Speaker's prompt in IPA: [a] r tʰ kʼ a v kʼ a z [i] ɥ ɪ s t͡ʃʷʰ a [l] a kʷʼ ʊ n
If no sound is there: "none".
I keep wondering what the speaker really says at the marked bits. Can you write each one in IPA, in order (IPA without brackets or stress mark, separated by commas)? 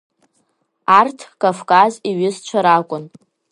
a, i, ɾ